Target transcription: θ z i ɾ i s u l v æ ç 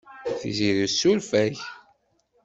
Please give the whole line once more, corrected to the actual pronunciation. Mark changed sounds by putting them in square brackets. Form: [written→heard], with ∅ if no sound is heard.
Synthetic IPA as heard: θ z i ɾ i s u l [v→f] æ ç